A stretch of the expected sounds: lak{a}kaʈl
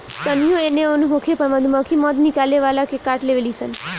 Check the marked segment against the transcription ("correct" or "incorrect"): incorrect